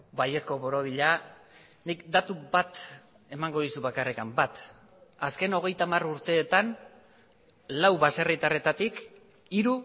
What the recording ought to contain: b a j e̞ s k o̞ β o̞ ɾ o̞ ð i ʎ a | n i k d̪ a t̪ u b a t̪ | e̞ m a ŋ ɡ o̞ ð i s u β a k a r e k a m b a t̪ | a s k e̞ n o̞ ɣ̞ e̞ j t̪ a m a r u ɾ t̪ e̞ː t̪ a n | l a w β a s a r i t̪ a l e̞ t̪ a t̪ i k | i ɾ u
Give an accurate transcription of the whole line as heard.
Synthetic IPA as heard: b a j e̞ s k o̞ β o̞ ɾ o̞ ð i ʎ a | n i k d̪ a t̪ u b a t̪ | e̞ m a ŋ ɡ o̞ ð i s u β a k a r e k a m b a t̪ | a s k e̞ n o̞ ɣ̞ e̞ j t̪ a m a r u ɾ t̪ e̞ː t̪ a n | l a w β a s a r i t̪ a r e̞ t̪ a t̪ i k | i ɾ u

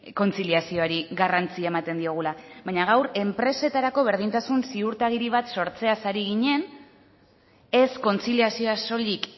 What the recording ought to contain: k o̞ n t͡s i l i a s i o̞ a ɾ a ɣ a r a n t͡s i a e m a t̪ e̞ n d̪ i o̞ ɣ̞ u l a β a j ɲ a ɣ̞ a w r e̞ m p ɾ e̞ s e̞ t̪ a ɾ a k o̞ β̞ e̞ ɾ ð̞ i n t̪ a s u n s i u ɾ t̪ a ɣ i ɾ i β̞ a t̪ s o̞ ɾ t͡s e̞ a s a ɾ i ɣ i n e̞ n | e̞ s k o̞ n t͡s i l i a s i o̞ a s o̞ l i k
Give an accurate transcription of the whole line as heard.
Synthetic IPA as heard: k o̞ n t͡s i l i a s i o̞ a ɾ i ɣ a r a n t͡s i a e m a t̪ e̞ n d̪ i o̞ ɣ̞ u l a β a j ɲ a ɣ̞ a w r e̞ m p ɾ e̞ s e̞ t̪ a ɾ a k o̞ β̞ e̞ ɾ ð̞ i n t̪ a s u n s i u ɾ t̪ a ɣ i ɾ i β̞ a t̪ s o̞ ɾ t͡s e̞ a s a ɾ i ɣ i ɲ e̞ n | e̞ s k o̞ n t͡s i l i a s i o̞ a s o̞ l i k

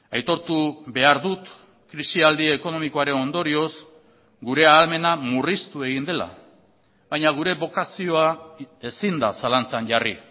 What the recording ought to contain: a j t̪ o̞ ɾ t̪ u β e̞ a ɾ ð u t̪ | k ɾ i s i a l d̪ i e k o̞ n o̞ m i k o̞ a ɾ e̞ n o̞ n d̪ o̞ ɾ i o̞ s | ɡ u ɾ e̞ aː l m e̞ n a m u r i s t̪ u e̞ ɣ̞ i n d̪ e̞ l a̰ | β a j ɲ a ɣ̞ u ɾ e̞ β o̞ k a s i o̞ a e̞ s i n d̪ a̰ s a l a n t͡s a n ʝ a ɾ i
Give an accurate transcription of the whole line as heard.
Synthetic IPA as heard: a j t̪ o̞ ɾ t̪ u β e̞ a ɾ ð u t̪ | k ɾ i s i a l d̪ i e k o̞ n o̞ m i k o̞ a ɾ e̞ n o̞ n d̪ o̞ ɾ i o̞ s | ɡ u ɾ e̞ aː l m e̞ n a m u r i s t̪ u e̞ ɣ̞ i n d̪ e̞ l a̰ | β a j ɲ a ɣ̞ u ɾ e̞ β o̞ k a s i o̞ a e̞ s i n d̪ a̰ s a l a n t͡s a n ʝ a r i

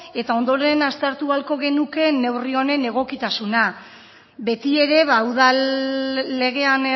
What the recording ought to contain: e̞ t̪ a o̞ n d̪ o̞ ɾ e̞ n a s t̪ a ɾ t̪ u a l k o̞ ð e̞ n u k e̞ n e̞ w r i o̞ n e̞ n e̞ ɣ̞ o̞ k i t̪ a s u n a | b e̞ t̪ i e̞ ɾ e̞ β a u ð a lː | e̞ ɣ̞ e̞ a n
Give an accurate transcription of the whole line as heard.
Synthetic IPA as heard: e̞ t̪ a o̞ n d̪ o̞ ɾ e̞ n a s t̪ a ɾ t̪ u a l k o̞ ɣ e̞ n u k e̞ n e̞ w r i o̞ n e̞ n e̞ ɣ̞ o̞ k i t̪ a s u n a | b e̞ t̪ i e̞ ɾ e̞ β a u ð a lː | e̞ ɣ̞ e̞ a n

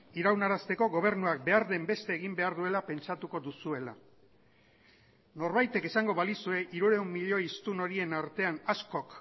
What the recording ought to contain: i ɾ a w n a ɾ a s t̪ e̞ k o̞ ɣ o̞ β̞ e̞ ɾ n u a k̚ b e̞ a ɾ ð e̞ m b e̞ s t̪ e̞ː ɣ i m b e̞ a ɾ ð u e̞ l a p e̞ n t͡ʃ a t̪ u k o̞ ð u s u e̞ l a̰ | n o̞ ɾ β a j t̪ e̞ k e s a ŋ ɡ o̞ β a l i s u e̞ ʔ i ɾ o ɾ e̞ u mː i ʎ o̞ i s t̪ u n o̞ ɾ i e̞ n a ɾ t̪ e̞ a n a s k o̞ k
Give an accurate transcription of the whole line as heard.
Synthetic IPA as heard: i ɾ a w n a ɾ a s t̪ e̞ k o̞ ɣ o̞ β̞ e̞ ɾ n u a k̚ b e̞ a ɾ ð e̞ m b e̞ s t̪ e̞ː ɣ i m b e̞ a ɾ ð u e̞ l a p e̞ n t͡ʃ a t̪ u k o̞ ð u s u e̞ l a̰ | n o̞ ɾ β a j t̪ e̞ k e s a ŋ ɡ o̞ β a l i s u e̞ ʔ i ɾ u ɾ e̞ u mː i ʎ o̞ i s t̪ u n o̞ ɾ i e̞ n a ɾ t̪ e̞ a n a s k o̞ k

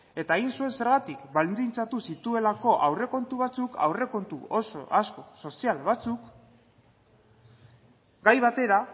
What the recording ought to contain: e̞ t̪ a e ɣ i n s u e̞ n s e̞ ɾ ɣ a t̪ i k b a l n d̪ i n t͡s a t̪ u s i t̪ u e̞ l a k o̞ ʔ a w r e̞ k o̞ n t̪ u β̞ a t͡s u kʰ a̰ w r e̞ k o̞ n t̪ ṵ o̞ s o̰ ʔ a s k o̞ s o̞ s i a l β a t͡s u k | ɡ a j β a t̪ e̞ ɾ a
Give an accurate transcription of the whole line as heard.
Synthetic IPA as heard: e̞ t̪ a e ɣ i n s u e̞ n s e̞ ɾ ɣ a t̪ i k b a l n d̪ i n t͡s a t̪ u s i t̪ u e̞ l a k o̞ ʔ a w r e̞ k o̞ n t̪ u β̞ a t͡s u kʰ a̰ w r e̞ k o̞ n t̪ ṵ o̞ s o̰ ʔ a s k o̞ s o̞ s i a l β a t͡s u k | ɡ a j β a t̪ e̞ ɾ a

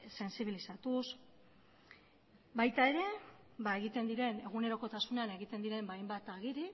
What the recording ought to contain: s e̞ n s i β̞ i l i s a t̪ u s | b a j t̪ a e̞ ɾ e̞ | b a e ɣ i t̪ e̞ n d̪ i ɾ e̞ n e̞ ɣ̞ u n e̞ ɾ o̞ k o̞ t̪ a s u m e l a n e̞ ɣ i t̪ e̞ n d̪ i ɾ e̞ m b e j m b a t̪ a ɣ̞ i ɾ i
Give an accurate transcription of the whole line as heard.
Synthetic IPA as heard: s e̞ n s i β̞ i l i s a t̪ u s | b a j t̪ a e̞ ɾ e̞ | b a e ɣ i t̪ e̞ n d̪ i ɾ e̞ n e̞ ɣ̞ u n e̞ ɾ o̞ k o̞ t̪ a s u n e a n e̞ ɣ i t̪ e̞ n d̪ i ɾ e̞ m b a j m b a t̪ a ɣ̞ i ɾ i

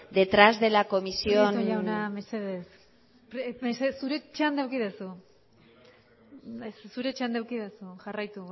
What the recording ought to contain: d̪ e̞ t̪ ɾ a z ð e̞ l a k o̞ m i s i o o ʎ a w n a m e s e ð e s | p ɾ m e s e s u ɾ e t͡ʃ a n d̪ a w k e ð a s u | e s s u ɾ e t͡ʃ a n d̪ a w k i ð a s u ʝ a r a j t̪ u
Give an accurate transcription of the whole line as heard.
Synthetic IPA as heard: d̪ e̞ t̪ ɾ a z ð e̞ l a k o̞ m i s i o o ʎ a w n a m e s e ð e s | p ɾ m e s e s u ɾ e t͡ʃ a n d̪ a w k i ð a s u | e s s u ɾ e t͡ʃ a n d̪ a w k i ð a s u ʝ a r a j t̪ u

